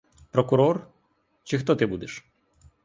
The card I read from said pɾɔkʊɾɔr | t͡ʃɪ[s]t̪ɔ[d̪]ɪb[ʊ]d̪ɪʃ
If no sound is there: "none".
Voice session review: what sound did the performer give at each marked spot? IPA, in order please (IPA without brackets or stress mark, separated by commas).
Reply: x, t̪, u